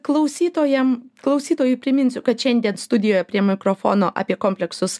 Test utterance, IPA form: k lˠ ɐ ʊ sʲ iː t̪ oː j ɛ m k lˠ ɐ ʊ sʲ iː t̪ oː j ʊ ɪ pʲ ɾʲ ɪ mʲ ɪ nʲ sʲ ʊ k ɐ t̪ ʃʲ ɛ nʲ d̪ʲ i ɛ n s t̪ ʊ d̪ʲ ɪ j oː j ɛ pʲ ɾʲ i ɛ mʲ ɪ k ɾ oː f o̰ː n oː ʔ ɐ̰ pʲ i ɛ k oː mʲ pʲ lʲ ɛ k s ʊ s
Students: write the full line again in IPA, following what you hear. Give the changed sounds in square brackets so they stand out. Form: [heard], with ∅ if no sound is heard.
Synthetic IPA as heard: k lˠ ɐ ʊ sʲ iː t̪ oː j ɛ m k lˠ ɐ ʊ sʲ iː t̪ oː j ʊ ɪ pʲ ɾʲ ɪ mʲ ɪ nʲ sʲ ʊ k ɐ t̪ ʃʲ ɛ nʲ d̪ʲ i ɛ n s t̪ ʊ d̪ʲ ɪ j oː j ɛ pʲ ɾʲ i ɛ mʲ ɪ k ɾ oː f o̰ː n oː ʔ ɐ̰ pʲ i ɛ k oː mʲ pʲ lʲ ɛ k s ʊ s

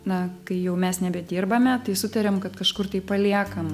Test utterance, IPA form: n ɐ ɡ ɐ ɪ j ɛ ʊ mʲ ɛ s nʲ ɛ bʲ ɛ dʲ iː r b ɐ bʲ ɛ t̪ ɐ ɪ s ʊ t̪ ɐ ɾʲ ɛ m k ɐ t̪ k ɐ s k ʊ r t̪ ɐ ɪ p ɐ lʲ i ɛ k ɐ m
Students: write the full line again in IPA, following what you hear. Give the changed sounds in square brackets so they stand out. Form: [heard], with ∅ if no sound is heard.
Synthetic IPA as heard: n ɐ [k] ɐ ɪ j ɛ ʊ mʲ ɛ s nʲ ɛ bʲ ɛ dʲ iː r b ɐ [mʲ] ɛ t̪ ɐ ɪ s ʊ t̪ ɐ ɾʲ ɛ m k ɐ t̪ k ɐ [ʃ] k ʊ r t̪ ɐ ɪ p ɐ lʲ i ɛ k ɐ m

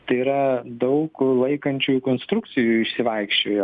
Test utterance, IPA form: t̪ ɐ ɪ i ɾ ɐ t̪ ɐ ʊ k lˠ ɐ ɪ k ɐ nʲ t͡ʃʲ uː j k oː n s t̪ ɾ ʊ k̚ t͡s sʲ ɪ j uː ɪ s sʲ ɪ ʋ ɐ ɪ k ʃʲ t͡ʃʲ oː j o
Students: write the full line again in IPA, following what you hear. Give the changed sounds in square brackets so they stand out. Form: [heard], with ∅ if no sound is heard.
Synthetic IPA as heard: t̪ ɐ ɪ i ɾ ɐ [d̪] ɐ ʊ k lˠ ɐ ɪ k ɐ nʲ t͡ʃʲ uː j k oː n s t̪ ɾ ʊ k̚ t͡s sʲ ɪ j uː ɪ [ʃ] sʲ ɪ ʋ ɐ ɪ k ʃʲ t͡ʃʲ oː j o

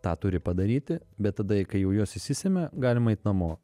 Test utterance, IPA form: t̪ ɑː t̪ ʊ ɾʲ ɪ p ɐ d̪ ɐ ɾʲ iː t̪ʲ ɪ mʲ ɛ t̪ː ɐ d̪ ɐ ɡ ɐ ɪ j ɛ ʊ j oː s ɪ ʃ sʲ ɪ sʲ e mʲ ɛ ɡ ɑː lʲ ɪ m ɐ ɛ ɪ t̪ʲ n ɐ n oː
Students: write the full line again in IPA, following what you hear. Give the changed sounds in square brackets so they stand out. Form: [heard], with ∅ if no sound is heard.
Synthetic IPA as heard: t̪ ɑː t̪ ʊ ɾʲ ɪ p ɐ d̪ ɐ ɾʲ iː t̪ʲ ɪ [bʲ] ɛ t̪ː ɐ d̪ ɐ [k] ɐ ɪ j ɛ ʊ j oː s ɪ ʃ sʲ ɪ sʲ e mʲ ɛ ɡ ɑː lʲ ɪ m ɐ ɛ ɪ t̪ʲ n ɐ [m] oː

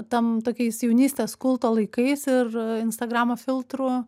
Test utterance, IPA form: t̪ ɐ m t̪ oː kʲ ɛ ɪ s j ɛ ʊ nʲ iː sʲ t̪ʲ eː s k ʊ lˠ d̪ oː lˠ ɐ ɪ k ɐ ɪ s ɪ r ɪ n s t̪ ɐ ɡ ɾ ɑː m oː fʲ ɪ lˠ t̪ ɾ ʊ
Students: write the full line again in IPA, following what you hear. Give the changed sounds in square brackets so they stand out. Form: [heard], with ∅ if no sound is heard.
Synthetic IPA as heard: t̪ ɐ m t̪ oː kʲ ɛ ɪ s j ɛ ʊ nʲ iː sʲ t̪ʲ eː s k ʊ lˠ [t̪] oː lˠ ɐ ɪ k ɐ ɪ s ɪ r ɪ n s t̪ ɐ ɡ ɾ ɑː m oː fʲ ɪ lˠ t̪ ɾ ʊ

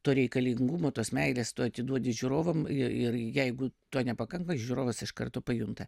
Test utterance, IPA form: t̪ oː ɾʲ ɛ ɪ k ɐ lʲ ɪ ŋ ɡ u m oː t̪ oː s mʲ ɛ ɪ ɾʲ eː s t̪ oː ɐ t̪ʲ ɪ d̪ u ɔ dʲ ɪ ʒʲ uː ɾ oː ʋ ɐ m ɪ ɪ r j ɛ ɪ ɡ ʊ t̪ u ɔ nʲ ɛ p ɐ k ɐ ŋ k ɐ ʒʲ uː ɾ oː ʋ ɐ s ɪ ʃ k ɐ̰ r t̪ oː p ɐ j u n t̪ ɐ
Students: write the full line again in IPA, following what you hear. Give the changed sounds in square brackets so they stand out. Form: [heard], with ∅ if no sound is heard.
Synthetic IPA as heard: t̪ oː ɾʲ ɛ ɪ k ɐ lʲ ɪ ŋ ɡ u m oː t̪ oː s mʲ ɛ ɪ [lʲ] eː s t̪ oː ɐ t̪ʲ ɪ d̪ u ɔ dʲ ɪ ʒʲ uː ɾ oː ʋ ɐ m ɪ ɪ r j ɛ ɪ ɡ ʊ t̪ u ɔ nʲ ɛ p ɐ k ɐ ŋ k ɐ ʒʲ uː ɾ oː ʋ ɐ s ɪ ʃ k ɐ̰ r t̪ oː p ɐ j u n t̪ ɐ

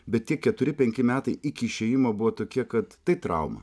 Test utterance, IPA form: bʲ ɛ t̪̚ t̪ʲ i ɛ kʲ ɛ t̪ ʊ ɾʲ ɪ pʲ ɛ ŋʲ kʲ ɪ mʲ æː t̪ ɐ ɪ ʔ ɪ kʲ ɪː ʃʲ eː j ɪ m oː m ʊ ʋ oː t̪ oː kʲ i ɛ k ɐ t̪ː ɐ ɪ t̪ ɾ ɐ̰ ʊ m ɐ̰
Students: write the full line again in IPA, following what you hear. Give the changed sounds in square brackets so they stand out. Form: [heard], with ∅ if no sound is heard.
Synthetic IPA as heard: bʲ ɛ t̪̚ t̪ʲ i ɛ kʲ ɛ t̪ ʊ ɾʲ ɪ pʲ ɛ ŋʲ kʲ ɪ mʲ æː t̪ ɐ ɪ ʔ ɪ kʲ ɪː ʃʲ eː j ɪ m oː [b] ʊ ʋ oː t̪ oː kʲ i ɛ k ɐ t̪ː ɐ ɪ t̪ ɾ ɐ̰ ʊ m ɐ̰

